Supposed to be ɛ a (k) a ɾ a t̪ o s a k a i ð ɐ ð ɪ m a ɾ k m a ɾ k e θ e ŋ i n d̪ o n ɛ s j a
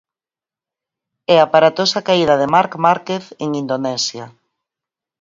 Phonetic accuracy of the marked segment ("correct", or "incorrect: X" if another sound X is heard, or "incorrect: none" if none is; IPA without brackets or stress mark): incorrect: p